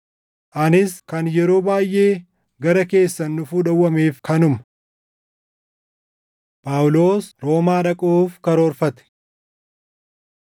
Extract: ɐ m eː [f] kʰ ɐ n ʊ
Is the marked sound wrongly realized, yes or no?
no